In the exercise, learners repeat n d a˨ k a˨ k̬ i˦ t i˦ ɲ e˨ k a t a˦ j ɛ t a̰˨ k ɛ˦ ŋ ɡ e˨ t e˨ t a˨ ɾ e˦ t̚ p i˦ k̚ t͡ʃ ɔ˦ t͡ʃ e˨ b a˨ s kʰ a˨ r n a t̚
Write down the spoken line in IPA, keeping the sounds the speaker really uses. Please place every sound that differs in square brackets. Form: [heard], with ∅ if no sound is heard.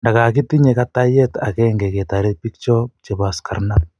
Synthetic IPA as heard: n d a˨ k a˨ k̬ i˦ t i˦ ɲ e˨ k a t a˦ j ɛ t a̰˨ k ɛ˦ ŋ ɡ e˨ [k] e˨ t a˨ ɾ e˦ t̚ p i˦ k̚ t͡ʃ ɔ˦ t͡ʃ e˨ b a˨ s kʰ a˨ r n a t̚